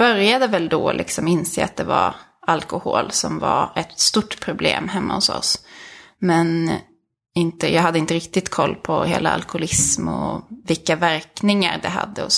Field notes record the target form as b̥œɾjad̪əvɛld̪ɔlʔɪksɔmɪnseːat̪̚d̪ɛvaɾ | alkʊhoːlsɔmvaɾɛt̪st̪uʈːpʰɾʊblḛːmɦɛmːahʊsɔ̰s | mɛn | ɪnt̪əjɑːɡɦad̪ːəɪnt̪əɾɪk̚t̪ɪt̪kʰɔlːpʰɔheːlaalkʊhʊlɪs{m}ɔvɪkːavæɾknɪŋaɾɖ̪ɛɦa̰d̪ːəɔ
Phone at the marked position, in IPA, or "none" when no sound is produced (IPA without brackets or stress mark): m